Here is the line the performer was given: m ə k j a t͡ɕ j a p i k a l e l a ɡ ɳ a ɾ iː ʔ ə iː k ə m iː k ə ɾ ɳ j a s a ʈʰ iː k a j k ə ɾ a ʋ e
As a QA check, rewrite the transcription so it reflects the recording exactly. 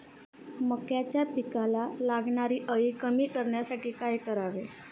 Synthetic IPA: m ə k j a t͡ɕ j a p i k a l a l a ɡ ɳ a ɾ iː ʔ ə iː k ə m iː k ə ɾ ɳ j a s a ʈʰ iː k a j k ə ɾ a ʋ e